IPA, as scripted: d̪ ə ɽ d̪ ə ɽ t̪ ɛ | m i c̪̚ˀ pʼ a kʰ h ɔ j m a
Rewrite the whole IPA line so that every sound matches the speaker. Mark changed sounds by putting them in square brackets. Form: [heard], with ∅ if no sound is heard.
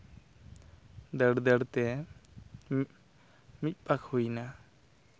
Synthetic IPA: d̪ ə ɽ d̪ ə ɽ t̪ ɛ | m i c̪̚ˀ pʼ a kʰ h [u] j [n] a